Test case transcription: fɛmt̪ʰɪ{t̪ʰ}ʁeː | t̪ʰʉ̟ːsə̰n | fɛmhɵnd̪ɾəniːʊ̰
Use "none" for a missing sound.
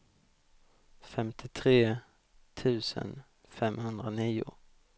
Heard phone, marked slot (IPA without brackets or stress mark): t̪ʰ